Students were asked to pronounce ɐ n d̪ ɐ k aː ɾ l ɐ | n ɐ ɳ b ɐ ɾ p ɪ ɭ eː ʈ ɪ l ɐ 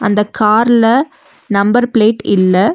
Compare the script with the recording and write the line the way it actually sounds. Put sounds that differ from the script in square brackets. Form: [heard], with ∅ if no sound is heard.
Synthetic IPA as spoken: ɐ n d̪ ɐ k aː ɾ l ɐ | n ɐ [m] b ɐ ɾ p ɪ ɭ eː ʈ ɪ [lː] ɐ